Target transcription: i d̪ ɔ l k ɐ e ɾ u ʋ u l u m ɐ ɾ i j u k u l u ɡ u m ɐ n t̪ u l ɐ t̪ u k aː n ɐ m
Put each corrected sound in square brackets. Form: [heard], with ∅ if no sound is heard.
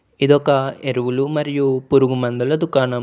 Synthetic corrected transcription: i d̪ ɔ [∅] k ɐ e ɾ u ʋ u l u m ɐ ɾ i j u [p] u [ɾ] u ɡ u m ɐ n [d̪] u l ɐ [d̪] u k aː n ɐ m